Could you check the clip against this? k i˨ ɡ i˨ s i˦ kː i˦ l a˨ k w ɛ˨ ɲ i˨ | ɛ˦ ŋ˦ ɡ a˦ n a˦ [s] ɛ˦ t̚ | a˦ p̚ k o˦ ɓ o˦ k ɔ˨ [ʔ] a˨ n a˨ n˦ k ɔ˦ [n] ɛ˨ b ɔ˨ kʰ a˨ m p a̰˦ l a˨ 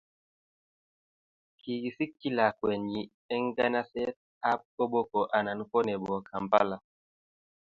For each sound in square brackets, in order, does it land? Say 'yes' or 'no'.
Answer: yes, yes, yes

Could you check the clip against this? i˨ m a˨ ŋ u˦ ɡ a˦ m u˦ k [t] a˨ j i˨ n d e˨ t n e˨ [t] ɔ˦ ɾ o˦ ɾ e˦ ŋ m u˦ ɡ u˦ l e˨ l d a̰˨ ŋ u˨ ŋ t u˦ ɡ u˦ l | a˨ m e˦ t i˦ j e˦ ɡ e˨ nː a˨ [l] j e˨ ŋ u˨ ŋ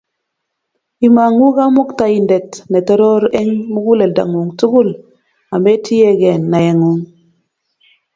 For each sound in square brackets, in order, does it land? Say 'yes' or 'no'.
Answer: yes, yes, no

